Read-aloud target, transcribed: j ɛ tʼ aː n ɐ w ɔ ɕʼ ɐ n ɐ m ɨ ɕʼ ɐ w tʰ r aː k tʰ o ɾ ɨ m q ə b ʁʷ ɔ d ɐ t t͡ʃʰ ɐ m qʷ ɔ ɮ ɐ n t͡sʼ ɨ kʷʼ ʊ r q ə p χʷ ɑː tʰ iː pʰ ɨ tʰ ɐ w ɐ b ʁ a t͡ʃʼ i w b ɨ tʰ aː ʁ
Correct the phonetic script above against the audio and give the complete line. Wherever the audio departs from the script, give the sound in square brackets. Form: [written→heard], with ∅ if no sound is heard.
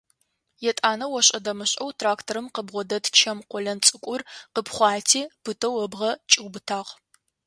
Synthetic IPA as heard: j ɛ tʼ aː n ɐ w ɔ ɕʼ ɐ [n→d] ɐ m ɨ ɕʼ ɐ w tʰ r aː k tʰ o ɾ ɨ m q ə b ʁʷ ɔ d ɐ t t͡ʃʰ ɐ m qʷ ɔ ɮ ɐ n t͡sʼ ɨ kʷʼ ʊ r q ə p χʷ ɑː tʰ iː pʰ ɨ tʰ ɐ w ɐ b ʁ [a→ɐ] t͡ʃʼ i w b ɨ tʰ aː ʁ